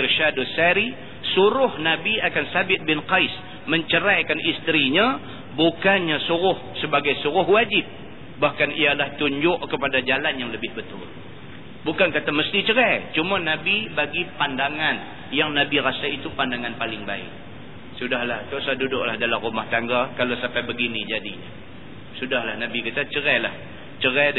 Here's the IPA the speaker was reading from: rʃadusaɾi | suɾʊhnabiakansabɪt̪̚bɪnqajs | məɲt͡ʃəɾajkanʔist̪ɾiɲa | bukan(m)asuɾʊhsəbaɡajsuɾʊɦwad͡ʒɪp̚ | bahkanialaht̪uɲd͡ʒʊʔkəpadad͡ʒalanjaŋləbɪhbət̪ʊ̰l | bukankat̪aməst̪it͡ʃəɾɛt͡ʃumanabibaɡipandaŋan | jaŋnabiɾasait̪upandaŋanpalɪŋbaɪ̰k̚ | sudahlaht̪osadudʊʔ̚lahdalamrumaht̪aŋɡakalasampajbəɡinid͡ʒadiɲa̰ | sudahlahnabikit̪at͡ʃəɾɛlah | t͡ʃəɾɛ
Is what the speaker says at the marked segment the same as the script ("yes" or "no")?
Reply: no